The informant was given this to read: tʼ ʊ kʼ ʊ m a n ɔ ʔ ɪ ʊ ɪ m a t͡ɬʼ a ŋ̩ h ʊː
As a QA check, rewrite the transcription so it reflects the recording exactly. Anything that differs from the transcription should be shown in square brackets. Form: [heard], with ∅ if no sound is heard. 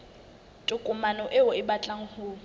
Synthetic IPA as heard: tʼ ʊ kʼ ʊ m a n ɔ ʔ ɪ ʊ ɪ [b] a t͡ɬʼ a ŋ̩ h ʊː